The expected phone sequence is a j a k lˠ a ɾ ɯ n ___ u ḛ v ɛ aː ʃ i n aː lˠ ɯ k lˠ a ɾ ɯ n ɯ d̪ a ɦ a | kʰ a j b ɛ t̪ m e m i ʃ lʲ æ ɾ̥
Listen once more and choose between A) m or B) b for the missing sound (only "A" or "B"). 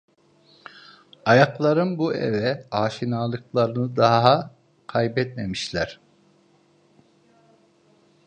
B